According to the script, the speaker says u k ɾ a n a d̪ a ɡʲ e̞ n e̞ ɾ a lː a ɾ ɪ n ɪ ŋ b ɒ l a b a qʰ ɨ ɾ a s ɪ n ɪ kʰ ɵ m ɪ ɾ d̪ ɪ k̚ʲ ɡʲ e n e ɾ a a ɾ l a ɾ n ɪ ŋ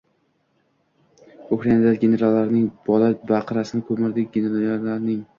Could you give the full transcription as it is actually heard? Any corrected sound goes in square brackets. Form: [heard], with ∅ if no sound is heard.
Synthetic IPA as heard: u k ɾ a n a d̪ a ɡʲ e̞ n e̞ ɾ a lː a ɾ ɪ n ɪ ŋ b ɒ l a b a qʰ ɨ ɾ a s ɪ n ɪ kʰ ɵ m ɪ ɾ d̪ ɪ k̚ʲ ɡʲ e n e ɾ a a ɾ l a ɾ n ɪ ŋ

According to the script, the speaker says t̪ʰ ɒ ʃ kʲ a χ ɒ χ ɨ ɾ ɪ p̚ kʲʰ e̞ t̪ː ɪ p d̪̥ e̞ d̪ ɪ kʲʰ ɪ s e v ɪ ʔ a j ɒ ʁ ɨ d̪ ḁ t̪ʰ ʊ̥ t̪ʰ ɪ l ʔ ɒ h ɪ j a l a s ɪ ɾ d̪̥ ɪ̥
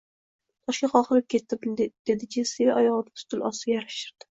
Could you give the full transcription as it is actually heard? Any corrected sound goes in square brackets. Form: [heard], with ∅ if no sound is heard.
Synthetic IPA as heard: t̪ʰ ɒ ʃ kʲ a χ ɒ χ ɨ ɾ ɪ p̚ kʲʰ e̞ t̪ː ɪ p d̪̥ e̞ d̪ ɪ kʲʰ ɪ s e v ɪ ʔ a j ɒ ʁ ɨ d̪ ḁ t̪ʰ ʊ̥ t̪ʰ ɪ l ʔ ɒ [s] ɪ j a [ɾ] a [ʃ] ɪ ɾ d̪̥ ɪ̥

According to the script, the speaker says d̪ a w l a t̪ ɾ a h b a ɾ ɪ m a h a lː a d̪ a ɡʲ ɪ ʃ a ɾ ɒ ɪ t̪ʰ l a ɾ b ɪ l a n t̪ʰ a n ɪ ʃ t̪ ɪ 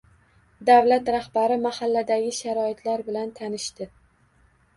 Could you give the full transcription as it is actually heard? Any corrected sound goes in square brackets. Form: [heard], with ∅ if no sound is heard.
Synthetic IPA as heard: d̪ a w l a t̪ ɾ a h b a ɾ ɪ m a h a lː a d̪ a ɡʲ ɪ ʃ a ɾ ɒ ɪ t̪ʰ l a ɾ b ɪ l a n t̪ʰ a n ɪ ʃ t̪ ɪ

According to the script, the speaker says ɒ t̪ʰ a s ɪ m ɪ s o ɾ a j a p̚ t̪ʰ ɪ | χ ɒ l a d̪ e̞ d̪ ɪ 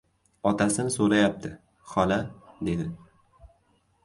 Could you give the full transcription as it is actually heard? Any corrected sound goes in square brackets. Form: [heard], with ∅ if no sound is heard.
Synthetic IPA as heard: ɒ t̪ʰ a s ɪ [n] ɪ s o ɾ a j a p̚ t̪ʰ ɪ | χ ɒ l a d̪ e̞ d̪ ɪ

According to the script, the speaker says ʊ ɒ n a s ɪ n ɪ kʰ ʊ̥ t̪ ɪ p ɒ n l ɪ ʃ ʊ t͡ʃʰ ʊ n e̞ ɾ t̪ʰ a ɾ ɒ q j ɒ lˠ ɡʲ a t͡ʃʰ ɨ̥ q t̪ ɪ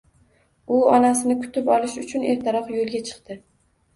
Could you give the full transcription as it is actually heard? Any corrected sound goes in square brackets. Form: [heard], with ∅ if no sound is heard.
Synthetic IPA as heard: ʊ ɒ n a s ɪ n ɪ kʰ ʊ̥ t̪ ɪ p ɒ [∅] l ɪ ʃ ʊ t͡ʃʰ ʊ n e̞ ɾ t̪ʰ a ɾ ɒ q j [o] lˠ ɡʲ a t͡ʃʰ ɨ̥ q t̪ ɪ

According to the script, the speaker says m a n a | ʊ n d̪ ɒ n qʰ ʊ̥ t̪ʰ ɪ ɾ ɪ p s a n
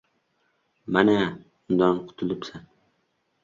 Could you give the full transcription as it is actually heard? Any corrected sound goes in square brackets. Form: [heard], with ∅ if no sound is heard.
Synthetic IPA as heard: m a n a | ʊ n d̪ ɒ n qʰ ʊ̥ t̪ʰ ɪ [l] ɪ p s a n

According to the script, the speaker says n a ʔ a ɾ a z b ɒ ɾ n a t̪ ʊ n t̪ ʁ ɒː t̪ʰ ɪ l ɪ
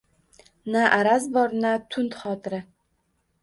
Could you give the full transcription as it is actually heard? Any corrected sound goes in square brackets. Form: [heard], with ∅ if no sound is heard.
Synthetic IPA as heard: n a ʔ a ɾ a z b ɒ ɾ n a [t̪ʰ] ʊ n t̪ [χ] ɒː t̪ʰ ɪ [ɾ] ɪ

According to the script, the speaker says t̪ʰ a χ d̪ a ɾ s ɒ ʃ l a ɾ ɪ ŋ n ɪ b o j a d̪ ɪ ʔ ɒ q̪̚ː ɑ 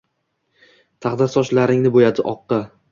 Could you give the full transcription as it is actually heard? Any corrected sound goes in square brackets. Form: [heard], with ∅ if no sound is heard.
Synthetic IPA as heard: t̪ʰ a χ d̪ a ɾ s ɒ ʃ l a ɾ ɪ ŋ n ɪ b o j a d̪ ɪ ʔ ɒ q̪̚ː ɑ

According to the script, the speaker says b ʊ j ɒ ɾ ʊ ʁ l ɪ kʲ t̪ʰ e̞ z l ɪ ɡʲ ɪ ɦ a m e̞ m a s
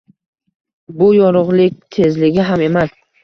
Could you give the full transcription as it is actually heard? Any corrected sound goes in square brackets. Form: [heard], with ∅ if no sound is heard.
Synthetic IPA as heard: b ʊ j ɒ ɾ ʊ ʁ l ɪ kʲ t̪ʰ e̞ z l ɪ ɡʲ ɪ ɦ a m e̞ m a s

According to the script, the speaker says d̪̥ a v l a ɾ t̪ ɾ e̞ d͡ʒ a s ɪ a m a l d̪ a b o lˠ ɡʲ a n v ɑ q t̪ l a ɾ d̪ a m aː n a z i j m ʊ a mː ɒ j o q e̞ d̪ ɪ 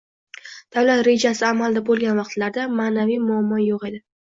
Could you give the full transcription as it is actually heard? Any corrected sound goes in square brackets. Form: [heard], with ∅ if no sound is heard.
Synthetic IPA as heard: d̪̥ a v l a [∅] t̪ ɾ e̞ d͡ʒ a s ɪ a m a l d̪ a b o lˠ ɡʲ a n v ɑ q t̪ l a ɾ d̪ a m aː n a [v] i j m ʊ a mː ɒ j o q e̞ d̪ ɪ

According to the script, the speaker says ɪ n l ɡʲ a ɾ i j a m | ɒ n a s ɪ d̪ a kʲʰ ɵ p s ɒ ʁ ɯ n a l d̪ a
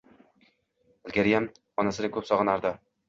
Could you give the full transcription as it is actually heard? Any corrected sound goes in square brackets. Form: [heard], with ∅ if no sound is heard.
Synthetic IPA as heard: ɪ [∅] l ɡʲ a ɾ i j a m | ɒ n a s ɪ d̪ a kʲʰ ɵ p s ɒ ʁ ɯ n a [ɾ] d̪ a

